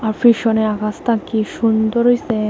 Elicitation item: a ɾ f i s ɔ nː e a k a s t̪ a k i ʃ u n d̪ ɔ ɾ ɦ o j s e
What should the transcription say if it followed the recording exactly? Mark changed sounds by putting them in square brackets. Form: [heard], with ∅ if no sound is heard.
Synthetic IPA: a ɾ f i [ʃ] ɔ [n] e a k a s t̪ a k i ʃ u n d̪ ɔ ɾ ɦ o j s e

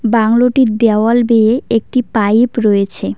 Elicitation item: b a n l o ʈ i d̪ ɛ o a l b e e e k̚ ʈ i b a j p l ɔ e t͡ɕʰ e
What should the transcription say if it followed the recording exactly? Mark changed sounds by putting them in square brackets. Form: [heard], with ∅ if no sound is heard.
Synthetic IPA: b a [ŋ] l o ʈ i d̪ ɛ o a l b e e e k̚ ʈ i [p] a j p [ɾ] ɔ e t͡ɕʰ e

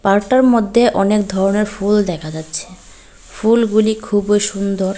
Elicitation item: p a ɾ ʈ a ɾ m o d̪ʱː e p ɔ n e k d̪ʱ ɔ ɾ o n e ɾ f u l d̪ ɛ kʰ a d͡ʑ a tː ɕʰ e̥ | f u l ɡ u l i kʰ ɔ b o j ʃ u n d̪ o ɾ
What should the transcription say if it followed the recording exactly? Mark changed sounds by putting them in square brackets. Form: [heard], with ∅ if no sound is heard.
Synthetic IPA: p a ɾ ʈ a ɾ m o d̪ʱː e [ʔ] ɔ n e k d̪ʱ ɔ ɾ o n e ɾ f u l d̪ ɛ kʰ a d͡ʑ a tː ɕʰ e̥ | f u l ɡ u l i kʰ [u] b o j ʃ u n d̪ o ɾ

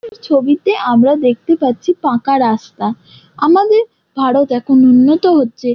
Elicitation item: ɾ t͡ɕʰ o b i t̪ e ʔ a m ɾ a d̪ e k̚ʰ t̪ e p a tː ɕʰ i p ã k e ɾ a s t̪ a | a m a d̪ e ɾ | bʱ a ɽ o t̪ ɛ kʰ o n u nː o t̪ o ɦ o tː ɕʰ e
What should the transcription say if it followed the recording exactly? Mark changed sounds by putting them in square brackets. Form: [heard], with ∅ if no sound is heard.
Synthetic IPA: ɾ t͡ɕʰ o b i t̪ e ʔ a m ɾ a d̪ e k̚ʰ t̪ e p a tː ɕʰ i p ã k [a] ɾ a s t̪ a | a m a d̪ e ɾ | bʱ a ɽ o t̪ ɛ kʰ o n u nː o t̪ o ɦ o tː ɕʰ e

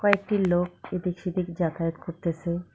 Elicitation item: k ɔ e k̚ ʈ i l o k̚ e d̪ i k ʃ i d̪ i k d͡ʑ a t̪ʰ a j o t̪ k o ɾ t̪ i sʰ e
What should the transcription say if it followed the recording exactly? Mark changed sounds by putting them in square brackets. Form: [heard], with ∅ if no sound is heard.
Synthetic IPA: k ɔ e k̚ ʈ i l o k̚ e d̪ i k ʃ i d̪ i k d͡ʑ a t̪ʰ a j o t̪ k o ɾ t̪ [e] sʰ e

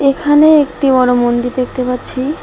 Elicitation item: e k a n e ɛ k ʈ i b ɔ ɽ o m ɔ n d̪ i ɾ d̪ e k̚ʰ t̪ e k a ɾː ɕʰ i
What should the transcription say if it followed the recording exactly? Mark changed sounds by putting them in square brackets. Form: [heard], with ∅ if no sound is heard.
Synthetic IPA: e [kʰ] a n e [e] k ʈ i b ɔ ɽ o m [o] n d̪ i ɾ d̪ e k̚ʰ t̪ e [p] a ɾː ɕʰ i

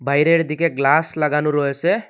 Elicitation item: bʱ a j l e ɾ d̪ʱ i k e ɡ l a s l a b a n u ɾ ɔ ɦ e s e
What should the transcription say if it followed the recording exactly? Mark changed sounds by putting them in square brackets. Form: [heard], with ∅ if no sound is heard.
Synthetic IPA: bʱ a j [ɾ] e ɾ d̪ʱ i k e ɡ l a s l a [ɡ] a n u ɾ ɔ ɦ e s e

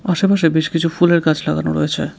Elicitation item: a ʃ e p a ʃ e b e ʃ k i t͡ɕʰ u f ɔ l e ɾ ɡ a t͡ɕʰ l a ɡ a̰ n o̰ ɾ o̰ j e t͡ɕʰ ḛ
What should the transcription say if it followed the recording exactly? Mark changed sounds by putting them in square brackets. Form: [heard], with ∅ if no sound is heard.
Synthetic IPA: a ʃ e p a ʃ e b e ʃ k i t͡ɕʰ u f [u] l e ɾ [k] a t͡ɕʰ l a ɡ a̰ n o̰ ɾ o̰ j e t͡ɕʰ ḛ

